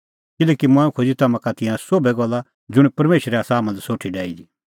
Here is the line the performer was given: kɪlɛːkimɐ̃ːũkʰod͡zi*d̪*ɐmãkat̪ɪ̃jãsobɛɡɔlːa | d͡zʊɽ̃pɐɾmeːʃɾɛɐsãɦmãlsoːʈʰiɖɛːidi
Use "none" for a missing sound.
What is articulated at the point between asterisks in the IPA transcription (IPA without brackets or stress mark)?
t̪